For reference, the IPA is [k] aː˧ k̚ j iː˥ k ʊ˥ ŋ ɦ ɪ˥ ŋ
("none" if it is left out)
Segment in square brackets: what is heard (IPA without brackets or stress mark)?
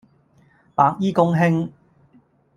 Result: p